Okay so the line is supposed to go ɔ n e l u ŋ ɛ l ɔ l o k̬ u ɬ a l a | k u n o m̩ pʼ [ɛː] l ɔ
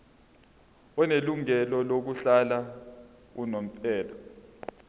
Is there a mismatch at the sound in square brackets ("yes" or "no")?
no